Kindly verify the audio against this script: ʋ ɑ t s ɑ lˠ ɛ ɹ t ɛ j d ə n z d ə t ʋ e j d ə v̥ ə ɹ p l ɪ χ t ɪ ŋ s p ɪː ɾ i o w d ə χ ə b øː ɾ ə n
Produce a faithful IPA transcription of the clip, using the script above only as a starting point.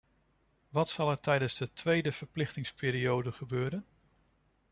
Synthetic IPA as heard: ʋ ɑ t s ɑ lˠ ɛ ɹ t ɛ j d ə n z d ə t ʋ e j d ə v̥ ə ɹ p l ɪ χ t ɪ ŋ s p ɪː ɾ i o w d ə χ ə b øː ɾ ə n